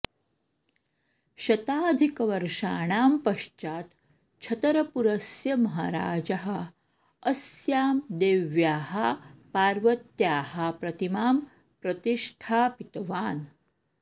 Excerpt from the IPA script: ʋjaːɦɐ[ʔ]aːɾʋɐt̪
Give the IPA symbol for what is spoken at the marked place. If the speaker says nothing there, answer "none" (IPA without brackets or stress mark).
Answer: p